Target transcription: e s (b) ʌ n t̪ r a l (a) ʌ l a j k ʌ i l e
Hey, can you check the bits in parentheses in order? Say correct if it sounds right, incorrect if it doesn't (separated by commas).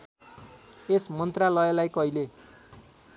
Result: incorrect, incorrect